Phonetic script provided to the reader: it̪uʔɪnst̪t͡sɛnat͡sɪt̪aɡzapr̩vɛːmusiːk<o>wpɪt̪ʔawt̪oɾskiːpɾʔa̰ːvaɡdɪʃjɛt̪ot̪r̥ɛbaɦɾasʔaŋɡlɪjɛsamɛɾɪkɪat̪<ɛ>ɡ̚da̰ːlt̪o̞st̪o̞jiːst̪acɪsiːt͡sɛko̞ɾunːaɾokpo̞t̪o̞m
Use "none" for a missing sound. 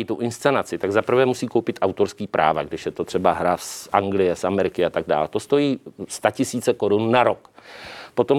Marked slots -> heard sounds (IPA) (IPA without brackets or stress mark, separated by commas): o, a